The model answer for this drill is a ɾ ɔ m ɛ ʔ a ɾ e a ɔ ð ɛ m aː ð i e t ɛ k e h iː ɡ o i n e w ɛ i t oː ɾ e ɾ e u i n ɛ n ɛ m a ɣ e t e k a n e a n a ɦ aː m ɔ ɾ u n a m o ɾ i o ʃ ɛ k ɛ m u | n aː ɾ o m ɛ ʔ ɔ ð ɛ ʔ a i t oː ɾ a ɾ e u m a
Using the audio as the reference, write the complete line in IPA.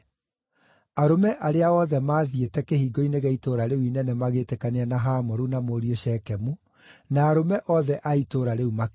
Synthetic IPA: a ɾ o m ɛ ʔ a ɾ e a ɔ ð ɛ m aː ð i e t ɛ k e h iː ɡ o i n e ɣ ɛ i t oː ɾ a ɾ e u i n ɛ n ɛ m a ɣ e t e k a n e a n a ɦ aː m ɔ ɾ u n a m o ɾ i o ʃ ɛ k ɛ m u | n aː ɾ o m ɛ ʔ ɔ ð ɛ ʔ a i t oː ɾ a ɾ e u m a

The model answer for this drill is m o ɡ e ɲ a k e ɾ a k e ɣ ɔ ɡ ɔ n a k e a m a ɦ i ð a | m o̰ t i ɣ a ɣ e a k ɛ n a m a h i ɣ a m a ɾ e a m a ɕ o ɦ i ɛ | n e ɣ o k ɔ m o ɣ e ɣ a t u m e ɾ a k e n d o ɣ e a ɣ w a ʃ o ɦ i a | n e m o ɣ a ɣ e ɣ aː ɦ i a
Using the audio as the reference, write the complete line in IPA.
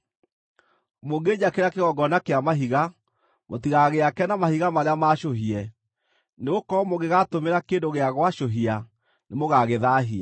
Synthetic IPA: m o ɡ e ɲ a k e ɾ a k e ɣ ɔ ɡ ɔ n a k e a m a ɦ i ɣ a | m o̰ t i ɣ a ɣ e a k ɛ n a m a h i ɣ a m a ɾ e a m a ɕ o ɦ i ɛ | n e ɣ o k ɔ m o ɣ e ɣ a t o m e ɾ a k e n d o ɣ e a ɣ w a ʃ o ɦ i a | n e m o ɣ a ɣ e ð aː ɦ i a

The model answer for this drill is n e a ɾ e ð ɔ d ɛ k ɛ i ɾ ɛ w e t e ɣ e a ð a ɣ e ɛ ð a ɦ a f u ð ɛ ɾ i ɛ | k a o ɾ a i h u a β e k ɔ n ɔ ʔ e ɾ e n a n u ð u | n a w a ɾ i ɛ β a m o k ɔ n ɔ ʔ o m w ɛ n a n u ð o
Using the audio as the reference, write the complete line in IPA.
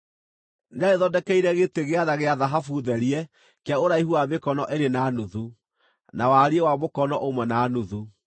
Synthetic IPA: n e a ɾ e ð ɔ d ɛ k ɛ i ɾ ɛ ɣ e t e ɣ e a ð a ɣ e a ð a ɦ a f u ð ɛ ɾ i ɛ | k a o ɾ a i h u a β e k ɔ n ɔ ʔ e ɾ e n a n u ð u | n a w a ɾ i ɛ w a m o k ɔ n ɔ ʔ o m w ɛ n a n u ð u

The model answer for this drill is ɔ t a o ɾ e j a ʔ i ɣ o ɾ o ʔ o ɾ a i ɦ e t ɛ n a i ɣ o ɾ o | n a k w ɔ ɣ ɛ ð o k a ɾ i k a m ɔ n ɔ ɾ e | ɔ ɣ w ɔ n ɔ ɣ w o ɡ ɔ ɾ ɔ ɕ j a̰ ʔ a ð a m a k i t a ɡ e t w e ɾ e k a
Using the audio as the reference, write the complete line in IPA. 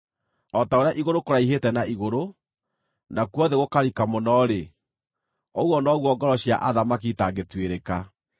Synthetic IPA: ɔ t a o ɾ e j a ʔ i ɣ o ɾ o k o ɾ a i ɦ e t ɛ n a i ɣ o ɾ o | n a k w ɔ ð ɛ ɣ o k a ɾ i k a m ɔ n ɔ ɾ e | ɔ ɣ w ɔ n ɔ ɣ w ɔ ɡ ɔ ɾ ɔ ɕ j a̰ ʔ a ð a m a k i t a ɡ e t w e ɾ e k a

